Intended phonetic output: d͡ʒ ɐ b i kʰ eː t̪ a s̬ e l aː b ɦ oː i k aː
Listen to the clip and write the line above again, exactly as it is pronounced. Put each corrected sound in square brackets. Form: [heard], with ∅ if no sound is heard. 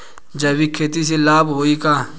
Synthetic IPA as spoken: d͡ʒ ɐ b i kʰ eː t̪ [i] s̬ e l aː b ɦ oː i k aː